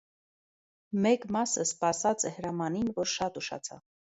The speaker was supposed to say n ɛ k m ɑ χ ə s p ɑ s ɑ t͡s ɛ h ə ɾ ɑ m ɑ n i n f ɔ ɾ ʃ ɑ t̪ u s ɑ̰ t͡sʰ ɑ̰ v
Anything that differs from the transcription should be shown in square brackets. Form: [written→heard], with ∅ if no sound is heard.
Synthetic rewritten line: [n→m] ɛ k m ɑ [χ→s] ə s p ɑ s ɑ t͡s ɛ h ə ɾ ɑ m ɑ n i n [f→v] ɔ ɾ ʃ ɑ t̪ u [s→ʃ] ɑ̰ t͡sʰ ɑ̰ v